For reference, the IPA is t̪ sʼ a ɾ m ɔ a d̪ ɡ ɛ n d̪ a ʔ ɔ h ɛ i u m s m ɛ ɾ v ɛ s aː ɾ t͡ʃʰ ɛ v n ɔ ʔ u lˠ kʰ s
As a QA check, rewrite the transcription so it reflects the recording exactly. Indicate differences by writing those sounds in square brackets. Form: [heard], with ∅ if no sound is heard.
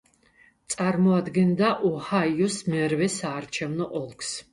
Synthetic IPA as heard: t̪ sʼ a ɾ m ɔ a d̪ ɡ ɛ n d̪ a ʔ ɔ h [a] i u [∅] s m ɛ ɾ v ɛ s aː ɾ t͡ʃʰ ɛ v n ɔ ʔ [ɔ] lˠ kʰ s

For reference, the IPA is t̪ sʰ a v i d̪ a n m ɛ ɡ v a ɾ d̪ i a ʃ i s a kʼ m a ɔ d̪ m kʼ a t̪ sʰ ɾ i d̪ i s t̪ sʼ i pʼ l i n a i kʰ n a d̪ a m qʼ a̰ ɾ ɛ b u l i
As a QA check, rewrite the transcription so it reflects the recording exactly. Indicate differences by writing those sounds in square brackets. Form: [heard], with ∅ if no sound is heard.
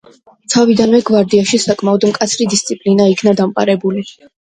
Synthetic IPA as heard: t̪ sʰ a v i d̪ a n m ɛ ɡ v a ɾ d̪ i a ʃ i s a kʼ m a ɔ d̪ m kʼ a t̪ sʰ ɾ i d̪ i s t̪ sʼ i pʼ l i n a i kʰ n a d̪ a m qʼ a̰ ɾ ɛ b u l i

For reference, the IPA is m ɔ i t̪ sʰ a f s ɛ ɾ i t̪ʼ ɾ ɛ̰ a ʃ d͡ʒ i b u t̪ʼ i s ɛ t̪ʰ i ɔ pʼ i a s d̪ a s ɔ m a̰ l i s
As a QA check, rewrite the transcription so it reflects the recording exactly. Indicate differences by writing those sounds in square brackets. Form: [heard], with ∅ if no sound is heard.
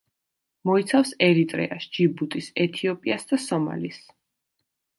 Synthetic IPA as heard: m ɔ i t̪ sʰ a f s ɛ ɾ i t̪ʼ ɾ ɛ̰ a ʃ d͡ʒ i b u t̪ʼ i s ɛ t̪ʰ i ɔ pʼ i a s d̪ a s ɔ m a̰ l i s

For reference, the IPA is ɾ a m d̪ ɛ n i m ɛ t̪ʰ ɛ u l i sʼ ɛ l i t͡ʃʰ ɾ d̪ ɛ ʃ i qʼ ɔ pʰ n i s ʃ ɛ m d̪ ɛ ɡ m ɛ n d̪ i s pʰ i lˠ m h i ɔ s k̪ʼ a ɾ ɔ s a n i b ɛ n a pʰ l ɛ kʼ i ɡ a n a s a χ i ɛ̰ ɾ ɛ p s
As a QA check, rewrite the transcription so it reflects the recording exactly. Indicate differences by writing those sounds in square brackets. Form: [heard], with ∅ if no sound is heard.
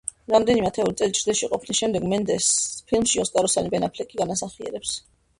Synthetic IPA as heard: ɾ a m d̪ ɛ n i m ɛ t̪ʰ ɛ u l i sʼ ɛ l i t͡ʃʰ ɾ d̪ ɛ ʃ i qʼ ɔ pʰ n i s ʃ ɛ m d̪ ɛ ɡ m ɛ n d̪ [ɛ] s pʰ i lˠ m [ʃ] i ɔ s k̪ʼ a ɾ ɔ s a n i b ɛ n a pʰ l ɛ kʼ i ɡ a n a s a χ i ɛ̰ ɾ ɛ p s

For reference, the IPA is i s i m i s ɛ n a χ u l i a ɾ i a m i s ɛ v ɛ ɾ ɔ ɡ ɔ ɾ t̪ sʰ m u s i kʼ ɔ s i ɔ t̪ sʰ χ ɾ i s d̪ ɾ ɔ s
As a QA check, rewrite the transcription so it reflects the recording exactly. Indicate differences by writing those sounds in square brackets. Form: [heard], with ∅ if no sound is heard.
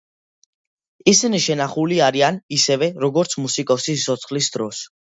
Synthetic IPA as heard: i s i [n] i [ʃ] ɛ n a χ u l i a ɾ i a [n] i s ɛ v ɛ ɾ ɔ ɡ ɔ ɾ t̪ sʰ m u s i kʼ ɔ s i ɔ t̪ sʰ χ [l] i s d̪ ɾ ɔ s

